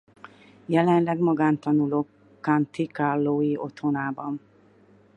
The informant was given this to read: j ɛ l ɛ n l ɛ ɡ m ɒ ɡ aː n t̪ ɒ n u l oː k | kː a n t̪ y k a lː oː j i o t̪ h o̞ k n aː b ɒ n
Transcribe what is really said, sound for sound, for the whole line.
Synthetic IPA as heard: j ɛ l ɛ n l ɛ ɡ m ɒ ɡ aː n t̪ ɒ n u l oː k | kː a n t̪ i k a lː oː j i o t̪ h o̞ n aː b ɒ n